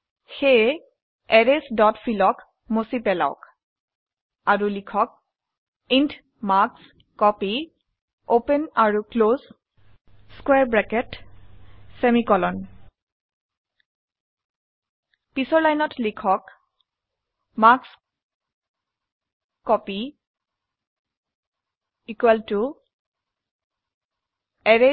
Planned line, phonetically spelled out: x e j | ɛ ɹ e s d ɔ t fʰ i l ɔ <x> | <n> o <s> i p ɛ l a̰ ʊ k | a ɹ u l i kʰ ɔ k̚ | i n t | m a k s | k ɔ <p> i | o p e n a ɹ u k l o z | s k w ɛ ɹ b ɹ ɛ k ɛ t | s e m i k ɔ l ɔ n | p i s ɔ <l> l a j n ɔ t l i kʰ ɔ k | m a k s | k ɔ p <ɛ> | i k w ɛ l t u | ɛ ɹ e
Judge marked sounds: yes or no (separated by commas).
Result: no, no, yes, yes, no, no